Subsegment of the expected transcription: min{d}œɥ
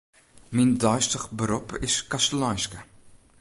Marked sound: correct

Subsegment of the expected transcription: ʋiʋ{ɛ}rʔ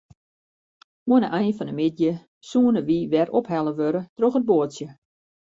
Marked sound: correct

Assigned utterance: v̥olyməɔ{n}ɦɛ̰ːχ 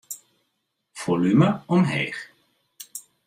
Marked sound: incorrect: m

